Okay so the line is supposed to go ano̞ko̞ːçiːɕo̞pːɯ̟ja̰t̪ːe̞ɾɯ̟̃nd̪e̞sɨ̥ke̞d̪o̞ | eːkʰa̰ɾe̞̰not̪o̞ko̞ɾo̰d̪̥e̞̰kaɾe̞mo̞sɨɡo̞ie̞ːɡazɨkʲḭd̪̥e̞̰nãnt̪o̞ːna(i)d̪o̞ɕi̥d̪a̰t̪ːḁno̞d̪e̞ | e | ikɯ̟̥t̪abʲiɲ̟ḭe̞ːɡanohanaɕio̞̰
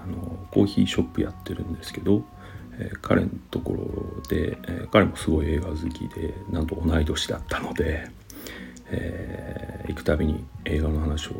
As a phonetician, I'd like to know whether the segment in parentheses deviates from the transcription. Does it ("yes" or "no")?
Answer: no